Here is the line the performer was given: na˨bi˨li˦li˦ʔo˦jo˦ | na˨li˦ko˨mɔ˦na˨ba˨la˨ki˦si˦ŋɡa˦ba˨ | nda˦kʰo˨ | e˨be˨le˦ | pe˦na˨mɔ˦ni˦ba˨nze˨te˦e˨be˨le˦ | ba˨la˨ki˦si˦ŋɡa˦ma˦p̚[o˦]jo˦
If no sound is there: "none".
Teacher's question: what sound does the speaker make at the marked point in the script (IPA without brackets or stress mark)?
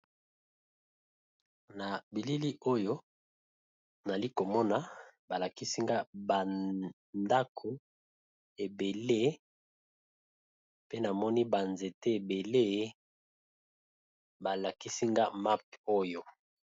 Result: o˦